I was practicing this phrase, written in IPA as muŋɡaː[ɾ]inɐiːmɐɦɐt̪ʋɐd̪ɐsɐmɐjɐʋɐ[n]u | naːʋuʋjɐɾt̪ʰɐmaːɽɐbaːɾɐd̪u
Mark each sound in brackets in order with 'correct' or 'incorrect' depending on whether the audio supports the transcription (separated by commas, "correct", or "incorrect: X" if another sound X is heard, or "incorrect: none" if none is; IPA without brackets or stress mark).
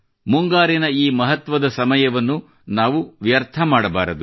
correct, incorrect: nː